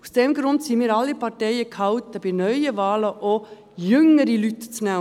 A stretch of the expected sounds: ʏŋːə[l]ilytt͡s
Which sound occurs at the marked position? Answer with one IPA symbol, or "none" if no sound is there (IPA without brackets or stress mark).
ɾ